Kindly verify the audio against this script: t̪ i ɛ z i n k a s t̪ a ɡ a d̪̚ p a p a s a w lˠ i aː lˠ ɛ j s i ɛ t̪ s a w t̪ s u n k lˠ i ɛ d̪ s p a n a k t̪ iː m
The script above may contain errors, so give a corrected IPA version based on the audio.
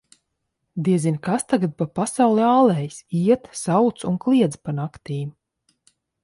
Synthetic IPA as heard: d̪ i ɛ z i n k a s t̪ a ɡ a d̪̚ p a p a s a w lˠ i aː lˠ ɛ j s i ɛ t̪ s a w t̪ s u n k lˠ i ɛ d̪ z p a n a k t̪ iː m